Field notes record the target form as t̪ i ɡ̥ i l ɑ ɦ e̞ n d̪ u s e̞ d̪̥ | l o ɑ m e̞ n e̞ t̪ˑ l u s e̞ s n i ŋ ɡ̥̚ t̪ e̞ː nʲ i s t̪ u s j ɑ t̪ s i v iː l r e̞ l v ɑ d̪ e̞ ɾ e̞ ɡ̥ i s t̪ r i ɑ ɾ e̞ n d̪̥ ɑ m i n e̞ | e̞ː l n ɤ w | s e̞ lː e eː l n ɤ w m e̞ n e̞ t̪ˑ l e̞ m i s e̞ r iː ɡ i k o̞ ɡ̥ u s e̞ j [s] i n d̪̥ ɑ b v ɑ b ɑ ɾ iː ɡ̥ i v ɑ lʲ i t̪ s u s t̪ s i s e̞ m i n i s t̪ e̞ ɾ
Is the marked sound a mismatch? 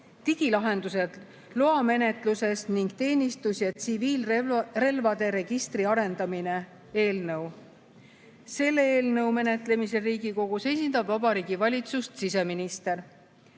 no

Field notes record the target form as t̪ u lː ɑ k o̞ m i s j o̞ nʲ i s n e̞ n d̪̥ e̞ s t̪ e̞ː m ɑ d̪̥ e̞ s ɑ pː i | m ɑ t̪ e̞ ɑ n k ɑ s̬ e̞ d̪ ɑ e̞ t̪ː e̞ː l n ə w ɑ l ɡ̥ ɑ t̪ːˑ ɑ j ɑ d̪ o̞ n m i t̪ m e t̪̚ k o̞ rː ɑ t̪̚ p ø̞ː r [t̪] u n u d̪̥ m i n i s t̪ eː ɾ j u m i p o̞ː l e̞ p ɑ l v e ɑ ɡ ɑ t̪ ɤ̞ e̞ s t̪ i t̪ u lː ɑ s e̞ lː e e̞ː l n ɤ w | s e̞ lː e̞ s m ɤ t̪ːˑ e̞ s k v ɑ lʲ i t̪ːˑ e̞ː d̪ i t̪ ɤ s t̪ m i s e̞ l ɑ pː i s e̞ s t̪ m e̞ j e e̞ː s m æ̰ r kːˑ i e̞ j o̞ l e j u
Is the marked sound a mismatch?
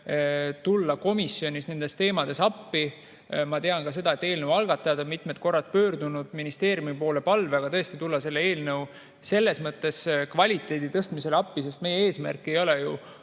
yes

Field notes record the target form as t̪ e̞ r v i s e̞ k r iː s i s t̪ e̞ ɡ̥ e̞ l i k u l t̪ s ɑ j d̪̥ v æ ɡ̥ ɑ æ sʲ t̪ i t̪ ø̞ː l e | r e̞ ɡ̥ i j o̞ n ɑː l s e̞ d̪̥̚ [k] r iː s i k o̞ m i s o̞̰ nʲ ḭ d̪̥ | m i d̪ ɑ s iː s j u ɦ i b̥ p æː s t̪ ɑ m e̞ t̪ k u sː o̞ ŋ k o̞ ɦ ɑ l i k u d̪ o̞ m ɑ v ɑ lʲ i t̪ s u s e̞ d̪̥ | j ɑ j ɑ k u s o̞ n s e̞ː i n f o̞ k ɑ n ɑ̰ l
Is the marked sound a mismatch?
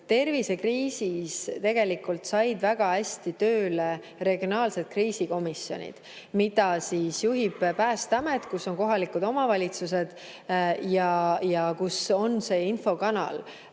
no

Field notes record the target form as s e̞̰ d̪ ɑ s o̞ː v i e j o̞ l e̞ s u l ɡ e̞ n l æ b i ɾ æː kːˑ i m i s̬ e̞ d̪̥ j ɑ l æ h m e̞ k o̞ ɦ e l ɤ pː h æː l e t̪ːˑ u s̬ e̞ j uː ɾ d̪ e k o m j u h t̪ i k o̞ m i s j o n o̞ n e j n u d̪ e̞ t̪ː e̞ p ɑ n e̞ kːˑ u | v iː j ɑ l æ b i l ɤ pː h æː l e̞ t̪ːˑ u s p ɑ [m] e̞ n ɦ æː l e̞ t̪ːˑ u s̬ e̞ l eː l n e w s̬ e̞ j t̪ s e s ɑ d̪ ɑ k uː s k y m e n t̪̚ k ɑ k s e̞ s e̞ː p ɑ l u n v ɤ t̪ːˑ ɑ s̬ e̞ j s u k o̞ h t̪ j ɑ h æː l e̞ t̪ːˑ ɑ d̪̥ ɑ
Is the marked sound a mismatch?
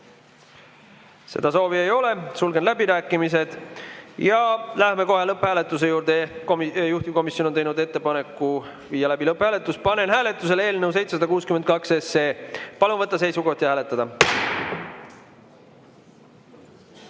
yes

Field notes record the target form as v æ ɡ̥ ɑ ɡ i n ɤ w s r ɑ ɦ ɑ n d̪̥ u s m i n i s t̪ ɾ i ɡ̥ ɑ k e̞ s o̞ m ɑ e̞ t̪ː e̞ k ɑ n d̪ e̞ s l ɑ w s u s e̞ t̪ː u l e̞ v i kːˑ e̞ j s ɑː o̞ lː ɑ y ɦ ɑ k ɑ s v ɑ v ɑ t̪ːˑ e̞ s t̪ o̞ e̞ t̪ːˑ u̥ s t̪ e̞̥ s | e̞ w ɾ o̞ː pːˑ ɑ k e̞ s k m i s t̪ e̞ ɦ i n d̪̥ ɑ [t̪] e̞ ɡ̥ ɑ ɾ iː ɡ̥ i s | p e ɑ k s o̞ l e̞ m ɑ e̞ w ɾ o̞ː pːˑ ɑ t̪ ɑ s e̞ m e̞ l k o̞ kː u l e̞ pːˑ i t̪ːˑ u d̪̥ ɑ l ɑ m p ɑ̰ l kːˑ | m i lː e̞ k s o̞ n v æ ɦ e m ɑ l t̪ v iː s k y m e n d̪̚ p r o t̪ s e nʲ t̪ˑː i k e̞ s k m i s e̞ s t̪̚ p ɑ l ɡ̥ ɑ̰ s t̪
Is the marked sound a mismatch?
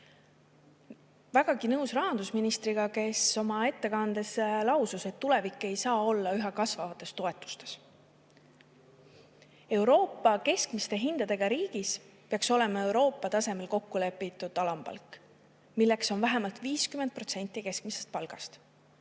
yes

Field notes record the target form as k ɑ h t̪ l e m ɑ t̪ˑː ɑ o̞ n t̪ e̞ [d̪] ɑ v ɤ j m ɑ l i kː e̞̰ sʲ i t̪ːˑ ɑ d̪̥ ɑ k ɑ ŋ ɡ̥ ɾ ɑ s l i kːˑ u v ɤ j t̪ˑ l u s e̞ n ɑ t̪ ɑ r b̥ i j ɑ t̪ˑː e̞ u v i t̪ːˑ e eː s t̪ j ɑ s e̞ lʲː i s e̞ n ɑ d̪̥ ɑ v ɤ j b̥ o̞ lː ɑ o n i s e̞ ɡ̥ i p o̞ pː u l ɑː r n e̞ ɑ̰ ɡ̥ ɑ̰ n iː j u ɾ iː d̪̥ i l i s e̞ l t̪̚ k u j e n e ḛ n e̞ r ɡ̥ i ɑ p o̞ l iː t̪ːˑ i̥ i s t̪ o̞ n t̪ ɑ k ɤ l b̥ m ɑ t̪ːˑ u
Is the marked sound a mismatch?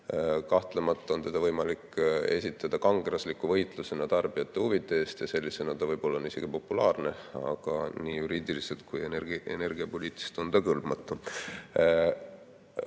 no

